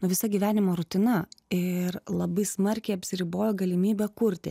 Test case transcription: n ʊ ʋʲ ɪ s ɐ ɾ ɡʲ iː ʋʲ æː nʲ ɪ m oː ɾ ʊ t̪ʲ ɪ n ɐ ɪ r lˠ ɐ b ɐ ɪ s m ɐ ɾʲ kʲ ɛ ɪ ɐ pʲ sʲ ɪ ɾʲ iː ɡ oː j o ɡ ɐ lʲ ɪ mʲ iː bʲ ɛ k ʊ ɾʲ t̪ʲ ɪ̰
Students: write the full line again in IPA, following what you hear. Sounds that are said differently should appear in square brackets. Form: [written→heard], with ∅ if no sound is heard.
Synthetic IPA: n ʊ ʋʲ ɪ s ɐ [ɾ→∅] ɡʲ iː ʋʲ æː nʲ ɪ m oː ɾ ʊ t̪ʲ ɪ n ɐ ɪ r lˠ ɐ b ɐ ɪ s m ɐ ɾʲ kʲ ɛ ɪ ɐ pʲ sʲ ɪ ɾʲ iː [ɡ→b] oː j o ɡ ɐ lʲ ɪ mʲ iː bʲ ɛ k ʊ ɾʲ t̪ʲ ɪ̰